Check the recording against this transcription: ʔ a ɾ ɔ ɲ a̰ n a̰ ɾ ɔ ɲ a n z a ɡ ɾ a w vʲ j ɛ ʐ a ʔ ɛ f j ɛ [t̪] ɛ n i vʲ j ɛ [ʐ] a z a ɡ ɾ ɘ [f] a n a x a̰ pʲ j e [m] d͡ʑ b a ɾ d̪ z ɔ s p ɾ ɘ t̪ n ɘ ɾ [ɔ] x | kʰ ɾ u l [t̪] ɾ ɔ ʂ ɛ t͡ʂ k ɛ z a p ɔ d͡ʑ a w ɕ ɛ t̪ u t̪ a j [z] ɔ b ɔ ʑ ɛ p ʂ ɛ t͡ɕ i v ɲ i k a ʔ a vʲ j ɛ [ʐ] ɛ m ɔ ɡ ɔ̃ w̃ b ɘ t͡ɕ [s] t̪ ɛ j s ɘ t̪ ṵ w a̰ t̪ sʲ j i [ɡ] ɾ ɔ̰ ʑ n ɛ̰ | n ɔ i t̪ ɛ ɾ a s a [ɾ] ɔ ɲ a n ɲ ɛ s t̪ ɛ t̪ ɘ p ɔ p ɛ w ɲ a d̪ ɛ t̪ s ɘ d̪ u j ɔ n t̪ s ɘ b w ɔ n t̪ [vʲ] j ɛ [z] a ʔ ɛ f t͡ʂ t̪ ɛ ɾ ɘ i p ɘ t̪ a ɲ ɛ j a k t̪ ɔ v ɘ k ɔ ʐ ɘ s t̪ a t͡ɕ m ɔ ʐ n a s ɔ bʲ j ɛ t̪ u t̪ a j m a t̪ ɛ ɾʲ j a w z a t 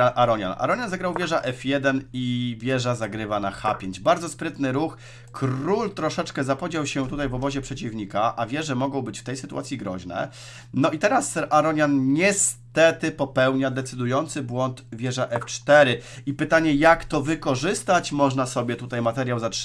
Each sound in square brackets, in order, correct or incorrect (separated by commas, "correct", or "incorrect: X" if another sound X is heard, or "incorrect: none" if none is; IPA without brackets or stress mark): incorrect: d̪, correct, incorrect: v, incorrect: ɲ, incorrect: u, correct, incorrect: v, correct, incorrect: f, correct, correct, correct, incorrect: ʐ